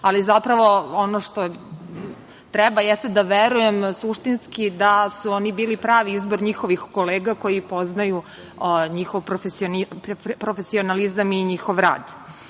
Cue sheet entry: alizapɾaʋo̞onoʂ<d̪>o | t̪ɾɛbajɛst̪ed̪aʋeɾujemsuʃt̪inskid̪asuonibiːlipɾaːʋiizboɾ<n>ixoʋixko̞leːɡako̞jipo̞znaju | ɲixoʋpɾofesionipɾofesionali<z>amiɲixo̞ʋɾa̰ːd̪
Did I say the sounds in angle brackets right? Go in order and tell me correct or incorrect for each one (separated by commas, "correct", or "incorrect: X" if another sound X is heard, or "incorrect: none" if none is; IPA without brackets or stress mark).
incorrect: t̪, incorrect: ɲ, correct